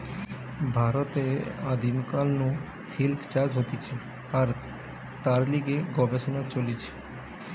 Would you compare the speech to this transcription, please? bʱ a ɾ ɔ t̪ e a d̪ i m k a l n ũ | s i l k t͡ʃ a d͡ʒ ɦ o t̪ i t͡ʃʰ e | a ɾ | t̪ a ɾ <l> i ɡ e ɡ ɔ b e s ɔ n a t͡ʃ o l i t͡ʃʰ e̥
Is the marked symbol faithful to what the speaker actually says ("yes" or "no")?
yes